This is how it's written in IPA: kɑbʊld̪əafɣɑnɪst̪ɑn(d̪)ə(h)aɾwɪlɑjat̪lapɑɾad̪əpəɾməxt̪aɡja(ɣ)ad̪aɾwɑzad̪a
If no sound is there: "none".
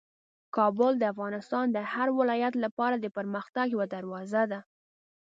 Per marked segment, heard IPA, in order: d̪, h, w

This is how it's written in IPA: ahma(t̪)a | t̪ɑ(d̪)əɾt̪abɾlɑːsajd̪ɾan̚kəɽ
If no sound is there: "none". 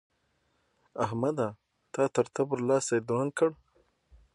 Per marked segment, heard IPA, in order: d̪, t̪

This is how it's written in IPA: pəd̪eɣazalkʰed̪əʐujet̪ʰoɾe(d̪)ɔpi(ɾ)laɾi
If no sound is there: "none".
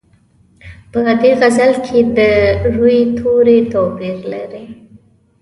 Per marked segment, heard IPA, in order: t̪, ɾ

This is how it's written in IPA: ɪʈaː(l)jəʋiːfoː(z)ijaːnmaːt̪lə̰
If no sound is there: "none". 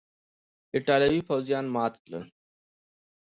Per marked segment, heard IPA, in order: l, z

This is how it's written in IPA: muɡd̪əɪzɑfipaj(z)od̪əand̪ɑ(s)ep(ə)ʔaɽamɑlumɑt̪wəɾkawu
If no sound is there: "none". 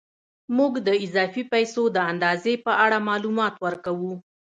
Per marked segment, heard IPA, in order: s, z, ə

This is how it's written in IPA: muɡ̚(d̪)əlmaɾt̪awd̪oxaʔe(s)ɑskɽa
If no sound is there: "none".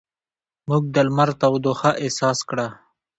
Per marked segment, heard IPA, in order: d̪, s

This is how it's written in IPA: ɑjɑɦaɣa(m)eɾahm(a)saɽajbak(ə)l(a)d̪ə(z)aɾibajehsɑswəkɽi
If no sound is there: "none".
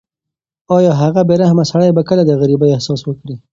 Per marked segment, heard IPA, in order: b, a, ə, a, ɣ

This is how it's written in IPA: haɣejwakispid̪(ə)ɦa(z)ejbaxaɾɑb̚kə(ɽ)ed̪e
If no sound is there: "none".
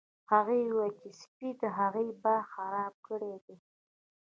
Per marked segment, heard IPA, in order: ə, ɣ, ɽ

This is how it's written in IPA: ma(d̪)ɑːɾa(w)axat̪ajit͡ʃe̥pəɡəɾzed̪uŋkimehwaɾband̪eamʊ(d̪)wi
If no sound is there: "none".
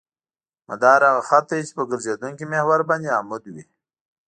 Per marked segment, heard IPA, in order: d̪, ɣ, d̪

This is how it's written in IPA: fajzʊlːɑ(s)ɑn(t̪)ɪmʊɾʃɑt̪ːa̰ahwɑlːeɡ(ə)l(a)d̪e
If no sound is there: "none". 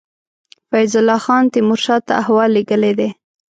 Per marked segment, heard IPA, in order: x, t̪, ə, e

